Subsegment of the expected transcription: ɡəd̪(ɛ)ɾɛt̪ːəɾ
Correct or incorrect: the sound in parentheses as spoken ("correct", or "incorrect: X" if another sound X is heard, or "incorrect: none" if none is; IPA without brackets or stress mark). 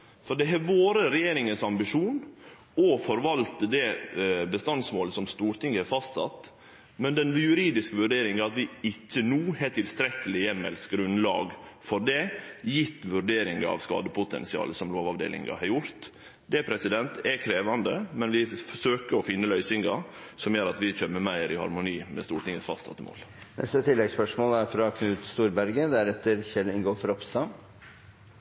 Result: incorrect: æ